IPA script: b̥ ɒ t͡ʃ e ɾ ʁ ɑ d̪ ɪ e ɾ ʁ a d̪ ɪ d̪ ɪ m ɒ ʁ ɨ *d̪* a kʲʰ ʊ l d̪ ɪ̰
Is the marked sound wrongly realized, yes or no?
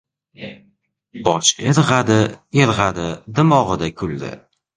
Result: no